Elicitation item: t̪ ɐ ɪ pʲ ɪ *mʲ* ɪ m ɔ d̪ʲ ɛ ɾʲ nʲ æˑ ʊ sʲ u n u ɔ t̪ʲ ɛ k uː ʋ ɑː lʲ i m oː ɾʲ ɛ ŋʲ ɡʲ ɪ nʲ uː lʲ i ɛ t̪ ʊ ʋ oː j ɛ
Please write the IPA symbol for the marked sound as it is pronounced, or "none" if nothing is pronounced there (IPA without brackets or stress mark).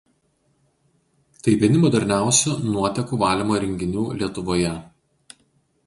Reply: nʲ